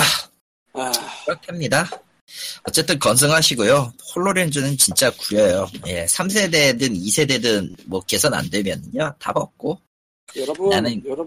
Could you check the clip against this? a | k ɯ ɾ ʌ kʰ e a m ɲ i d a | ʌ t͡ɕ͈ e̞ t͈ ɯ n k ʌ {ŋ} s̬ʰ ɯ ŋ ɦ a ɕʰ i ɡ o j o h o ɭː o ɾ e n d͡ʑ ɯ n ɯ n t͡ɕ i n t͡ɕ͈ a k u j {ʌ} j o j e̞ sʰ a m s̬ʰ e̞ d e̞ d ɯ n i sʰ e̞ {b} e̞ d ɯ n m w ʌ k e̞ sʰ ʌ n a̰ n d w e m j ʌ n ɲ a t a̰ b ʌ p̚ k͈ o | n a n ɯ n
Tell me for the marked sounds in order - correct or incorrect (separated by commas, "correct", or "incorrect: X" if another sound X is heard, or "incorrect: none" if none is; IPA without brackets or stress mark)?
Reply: incorrect: n, correct, incorrect: d